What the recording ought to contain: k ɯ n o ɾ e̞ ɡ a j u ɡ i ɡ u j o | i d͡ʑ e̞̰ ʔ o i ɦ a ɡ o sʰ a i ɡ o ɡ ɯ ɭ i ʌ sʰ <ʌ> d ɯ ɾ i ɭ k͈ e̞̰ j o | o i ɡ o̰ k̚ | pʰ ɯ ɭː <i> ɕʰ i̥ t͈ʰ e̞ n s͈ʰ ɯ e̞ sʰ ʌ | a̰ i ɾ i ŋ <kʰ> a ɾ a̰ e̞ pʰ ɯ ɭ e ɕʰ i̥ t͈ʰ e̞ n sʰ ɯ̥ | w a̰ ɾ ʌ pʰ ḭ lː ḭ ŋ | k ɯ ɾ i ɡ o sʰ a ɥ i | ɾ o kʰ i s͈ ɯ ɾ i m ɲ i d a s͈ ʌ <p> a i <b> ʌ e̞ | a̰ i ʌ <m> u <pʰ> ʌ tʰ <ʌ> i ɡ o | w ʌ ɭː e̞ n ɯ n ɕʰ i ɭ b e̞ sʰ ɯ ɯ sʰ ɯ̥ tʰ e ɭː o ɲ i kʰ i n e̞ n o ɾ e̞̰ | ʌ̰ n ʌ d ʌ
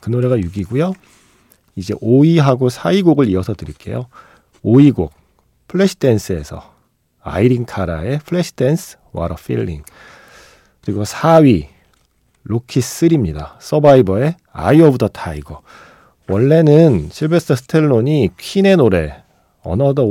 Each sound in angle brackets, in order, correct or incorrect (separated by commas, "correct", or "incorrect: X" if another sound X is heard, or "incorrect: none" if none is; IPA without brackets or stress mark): correct, incorrect: e, correct, incorrect: b, correct, incorrect: b, incorrect: tʰ, incorrect: a